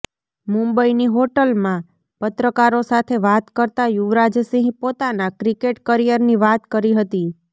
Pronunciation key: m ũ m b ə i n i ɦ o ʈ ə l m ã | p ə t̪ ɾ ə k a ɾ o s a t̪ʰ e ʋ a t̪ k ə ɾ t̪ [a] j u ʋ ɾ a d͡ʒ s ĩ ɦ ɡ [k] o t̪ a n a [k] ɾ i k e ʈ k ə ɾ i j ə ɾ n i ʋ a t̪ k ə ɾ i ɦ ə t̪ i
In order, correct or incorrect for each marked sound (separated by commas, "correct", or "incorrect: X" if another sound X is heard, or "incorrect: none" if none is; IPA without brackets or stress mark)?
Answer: correct, incorrect: p, correct